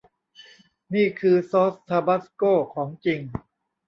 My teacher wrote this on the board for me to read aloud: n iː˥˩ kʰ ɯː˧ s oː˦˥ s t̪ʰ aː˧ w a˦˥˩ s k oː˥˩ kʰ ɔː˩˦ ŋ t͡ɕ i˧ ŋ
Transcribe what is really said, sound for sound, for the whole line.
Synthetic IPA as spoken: n iː˥˩ kʰ ɯː˧ s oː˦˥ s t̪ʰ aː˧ b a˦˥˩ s k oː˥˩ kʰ ɔː˩˦ ŋ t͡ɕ i˧ ŋ